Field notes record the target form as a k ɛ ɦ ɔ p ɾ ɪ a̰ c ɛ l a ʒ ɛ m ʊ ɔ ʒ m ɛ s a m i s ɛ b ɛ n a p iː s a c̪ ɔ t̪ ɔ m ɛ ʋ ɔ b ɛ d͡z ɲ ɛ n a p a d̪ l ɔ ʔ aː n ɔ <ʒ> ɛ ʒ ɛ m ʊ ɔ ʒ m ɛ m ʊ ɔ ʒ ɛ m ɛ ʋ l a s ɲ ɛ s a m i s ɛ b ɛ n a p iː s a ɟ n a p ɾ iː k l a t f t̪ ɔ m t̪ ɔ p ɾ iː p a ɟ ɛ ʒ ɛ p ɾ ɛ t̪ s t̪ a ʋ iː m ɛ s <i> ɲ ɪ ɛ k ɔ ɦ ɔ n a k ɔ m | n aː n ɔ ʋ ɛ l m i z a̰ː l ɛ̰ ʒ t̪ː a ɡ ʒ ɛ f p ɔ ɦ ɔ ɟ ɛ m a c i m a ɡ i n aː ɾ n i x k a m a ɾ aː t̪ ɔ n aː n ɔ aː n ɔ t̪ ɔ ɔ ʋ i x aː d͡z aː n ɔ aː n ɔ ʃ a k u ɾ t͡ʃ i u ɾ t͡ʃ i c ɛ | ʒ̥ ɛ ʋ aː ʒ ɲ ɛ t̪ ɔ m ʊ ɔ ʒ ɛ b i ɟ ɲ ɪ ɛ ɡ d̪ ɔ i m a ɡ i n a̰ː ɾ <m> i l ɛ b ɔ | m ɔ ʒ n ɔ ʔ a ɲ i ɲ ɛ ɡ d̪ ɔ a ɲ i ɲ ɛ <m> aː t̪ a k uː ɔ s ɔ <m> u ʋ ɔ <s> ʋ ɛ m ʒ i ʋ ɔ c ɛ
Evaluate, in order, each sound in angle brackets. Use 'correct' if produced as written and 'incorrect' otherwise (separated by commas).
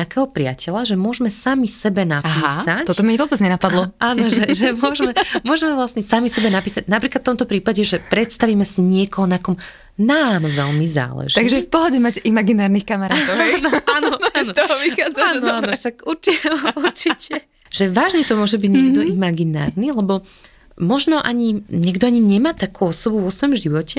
correct, correct, incorrect, correct, incorrect, correct